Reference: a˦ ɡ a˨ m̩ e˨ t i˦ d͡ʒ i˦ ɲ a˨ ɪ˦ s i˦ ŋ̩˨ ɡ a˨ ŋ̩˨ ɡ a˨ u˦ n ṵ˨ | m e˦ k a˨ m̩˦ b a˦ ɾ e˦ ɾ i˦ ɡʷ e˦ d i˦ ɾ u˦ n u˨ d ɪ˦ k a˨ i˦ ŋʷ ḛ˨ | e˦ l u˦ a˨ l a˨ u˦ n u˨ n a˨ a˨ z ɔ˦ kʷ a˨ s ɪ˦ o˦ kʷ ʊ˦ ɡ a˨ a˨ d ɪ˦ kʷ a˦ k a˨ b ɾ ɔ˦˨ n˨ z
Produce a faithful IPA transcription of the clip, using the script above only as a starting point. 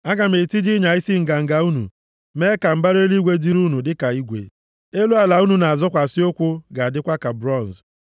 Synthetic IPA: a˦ ɡ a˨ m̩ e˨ t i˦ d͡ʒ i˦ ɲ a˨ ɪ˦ s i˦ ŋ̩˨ ɡ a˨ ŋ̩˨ ɡ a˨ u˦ n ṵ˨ | m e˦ k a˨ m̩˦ b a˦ ɾ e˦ l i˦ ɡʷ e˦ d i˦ ɾ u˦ n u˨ d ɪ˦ k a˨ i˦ ɡʷ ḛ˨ | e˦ l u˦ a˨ l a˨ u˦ n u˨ n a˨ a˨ z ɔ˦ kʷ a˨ s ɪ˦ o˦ kʷ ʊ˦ ɡ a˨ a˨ d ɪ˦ kʷ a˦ k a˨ b ɾ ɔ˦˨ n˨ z